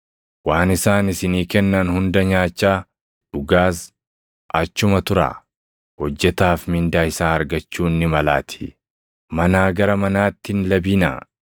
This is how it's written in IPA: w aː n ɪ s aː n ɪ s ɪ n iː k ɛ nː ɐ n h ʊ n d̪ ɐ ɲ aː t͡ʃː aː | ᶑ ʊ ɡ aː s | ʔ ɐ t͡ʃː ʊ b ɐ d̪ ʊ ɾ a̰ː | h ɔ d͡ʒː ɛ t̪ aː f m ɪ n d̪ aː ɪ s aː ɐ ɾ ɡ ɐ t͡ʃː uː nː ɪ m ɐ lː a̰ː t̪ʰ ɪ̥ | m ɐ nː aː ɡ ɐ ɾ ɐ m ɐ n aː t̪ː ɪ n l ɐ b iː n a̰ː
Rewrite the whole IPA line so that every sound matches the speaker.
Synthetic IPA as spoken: w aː n ɪ s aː n ɪ s ɪ n iː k ɛ nː ɐ n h ʊ n d̪ ɐ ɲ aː t͡ʃː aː | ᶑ ʊ ɡ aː s | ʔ ɐ t͡ʃː ʊ m ɐ t̪ ʊ ɾ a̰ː | h ɔ d͡ʒː ɛ t̪ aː f m ɪ n d̪ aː ɪ s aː ɐ ɾ ɡ ɐ t͡ʃː uː nː ɪ m ɐ l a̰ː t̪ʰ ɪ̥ | m ɐ n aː ɡ ɐ ɾ ɐ m ɐ n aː t̪ː ɪ n l ɐ b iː n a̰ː